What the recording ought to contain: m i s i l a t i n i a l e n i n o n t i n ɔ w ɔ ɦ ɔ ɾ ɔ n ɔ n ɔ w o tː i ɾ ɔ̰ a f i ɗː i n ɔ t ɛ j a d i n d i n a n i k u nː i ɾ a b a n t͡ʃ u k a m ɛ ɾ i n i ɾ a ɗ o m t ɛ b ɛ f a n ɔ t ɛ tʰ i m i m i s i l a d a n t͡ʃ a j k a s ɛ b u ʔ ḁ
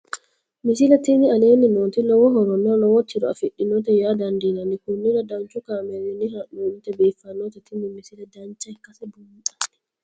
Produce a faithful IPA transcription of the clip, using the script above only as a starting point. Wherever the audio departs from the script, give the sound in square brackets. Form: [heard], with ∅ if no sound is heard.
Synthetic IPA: m i s i l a t i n i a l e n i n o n t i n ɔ w ɔ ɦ ɔ ɾ ɔ n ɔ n ɔ w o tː i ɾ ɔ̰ a f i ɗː i n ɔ t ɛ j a d [a] n d i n a n i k u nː i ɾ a [d] a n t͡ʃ u k a m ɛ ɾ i n i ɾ a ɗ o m t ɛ b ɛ f a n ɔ t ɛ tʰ i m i m i s i l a d a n t͡ʃ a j k a s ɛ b u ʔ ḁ